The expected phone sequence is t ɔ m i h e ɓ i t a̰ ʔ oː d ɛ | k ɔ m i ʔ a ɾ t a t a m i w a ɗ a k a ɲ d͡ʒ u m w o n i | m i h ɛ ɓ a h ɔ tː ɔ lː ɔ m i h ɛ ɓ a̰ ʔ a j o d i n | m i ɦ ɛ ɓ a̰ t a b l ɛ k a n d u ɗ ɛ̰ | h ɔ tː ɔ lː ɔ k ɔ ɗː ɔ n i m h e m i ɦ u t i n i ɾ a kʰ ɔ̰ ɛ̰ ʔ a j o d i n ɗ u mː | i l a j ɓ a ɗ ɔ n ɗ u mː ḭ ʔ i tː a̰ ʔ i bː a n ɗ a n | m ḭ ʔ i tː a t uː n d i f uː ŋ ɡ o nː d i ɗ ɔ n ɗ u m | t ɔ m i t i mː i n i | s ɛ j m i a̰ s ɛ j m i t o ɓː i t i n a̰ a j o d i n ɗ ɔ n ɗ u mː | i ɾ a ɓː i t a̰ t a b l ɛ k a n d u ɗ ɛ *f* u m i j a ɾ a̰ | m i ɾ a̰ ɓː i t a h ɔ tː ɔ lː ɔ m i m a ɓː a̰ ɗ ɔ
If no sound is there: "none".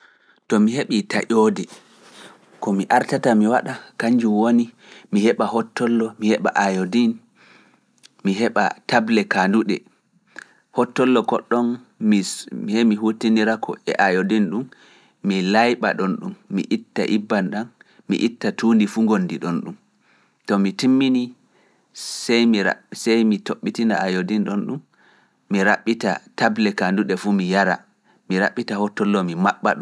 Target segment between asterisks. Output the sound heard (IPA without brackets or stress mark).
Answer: f